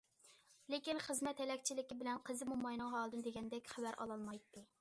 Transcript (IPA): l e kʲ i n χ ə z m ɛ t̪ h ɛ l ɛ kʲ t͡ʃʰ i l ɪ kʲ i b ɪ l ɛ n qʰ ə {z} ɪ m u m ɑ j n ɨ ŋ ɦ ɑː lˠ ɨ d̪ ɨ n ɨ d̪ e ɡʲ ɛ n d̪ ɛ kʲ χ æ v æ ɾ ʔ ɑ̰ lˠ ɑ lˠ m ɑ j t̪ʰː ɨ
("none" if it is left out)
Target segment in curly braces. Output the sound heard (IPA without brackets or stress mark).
z